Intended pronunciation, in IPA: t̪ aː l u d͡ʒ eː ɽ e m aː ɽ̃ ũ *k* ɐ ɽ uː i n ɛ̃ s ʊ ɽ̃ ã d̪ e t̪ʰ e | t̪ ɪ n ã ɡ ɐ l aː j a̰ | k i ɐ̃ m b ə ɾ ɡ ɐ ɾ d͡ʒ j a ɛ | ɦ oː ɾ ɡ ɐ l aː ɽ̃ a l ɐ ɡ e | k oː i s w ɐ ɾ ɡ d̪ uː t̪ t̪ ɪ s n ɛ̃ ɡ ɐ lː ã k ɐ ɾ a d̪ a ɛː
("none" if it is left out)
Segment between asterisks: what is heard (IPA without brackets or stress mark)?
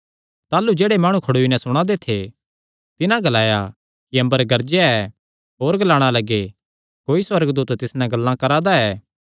kʰ